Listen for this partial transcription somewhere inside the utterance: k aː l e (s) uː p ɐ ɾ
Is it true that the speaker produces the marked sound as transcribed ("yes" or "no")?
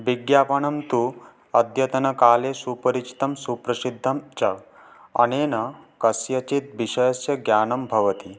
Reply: yes